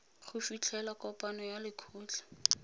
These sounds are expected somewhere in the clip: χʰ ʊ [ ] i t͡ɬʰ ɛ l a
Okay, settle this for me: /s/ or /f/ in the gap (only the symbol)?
f